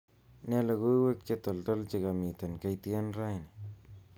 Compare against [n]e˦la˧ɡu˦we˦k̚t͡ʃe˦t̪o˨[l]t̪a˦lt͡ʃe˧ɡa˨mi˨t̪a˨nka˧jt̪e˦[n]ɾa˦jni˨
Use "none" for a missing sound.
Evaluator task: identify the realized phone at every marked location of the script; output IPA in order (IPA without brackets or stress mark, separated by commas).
n, l, n